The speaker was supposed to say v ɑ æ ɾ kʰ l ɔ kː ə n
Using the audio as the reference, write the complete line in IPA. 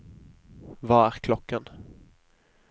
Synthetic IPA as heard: v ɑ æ ɾ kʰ l ɔ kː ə n